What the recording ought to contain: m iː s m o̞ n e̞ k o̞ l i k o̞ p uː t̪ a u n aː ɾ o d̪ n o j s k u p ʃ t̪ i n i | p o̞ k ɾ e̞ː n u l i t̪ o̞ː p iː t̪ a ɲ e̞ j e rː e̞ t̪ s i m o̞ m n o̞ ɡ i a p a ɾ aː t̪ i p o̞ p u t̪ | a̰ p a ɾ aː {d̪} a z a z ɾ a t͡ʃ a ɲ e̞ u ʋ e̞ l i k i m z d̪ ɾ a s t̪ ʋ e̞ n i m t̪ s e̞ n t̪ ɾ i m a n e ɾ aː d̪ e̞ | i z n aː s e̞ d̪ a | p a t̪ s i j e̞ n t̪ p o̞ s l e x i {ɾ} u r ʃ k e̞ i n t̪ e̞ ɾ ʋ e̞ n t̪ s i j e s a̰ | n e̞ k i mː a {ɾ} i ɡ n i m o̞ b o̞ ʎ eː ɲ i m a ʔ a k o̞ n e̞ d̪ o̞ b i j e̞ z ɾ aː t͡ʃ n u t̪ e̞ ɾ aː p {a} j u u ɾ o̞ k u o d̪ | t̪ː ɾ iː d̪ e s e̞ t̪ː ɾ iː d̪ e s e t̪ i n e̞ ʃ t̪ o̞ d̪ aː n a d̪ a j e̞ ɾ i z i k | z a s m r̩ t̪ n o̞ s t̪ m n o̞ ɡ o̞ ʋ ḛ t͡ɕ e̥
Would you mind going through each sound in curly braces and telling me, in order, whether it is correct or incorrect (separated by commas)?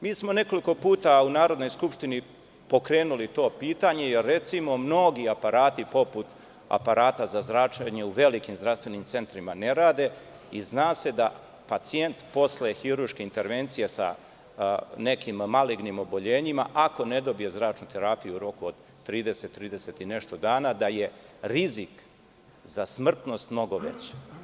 incorrect, correct, incorrect, incorrect